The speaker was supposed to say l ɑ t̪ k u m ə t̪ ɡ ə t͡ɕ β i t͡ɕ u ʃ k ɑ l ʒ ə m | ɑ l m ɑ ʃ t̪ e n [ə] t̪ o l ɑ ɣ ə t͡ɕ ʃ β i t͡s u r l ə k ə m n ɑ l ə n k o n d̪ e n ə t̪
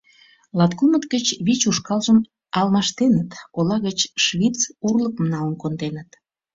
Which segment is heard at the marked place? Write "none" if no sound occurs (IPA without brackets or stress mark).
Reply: ə